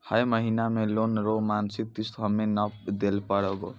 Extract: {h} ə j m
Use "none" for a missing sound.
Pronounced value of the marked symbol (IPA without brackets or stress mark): h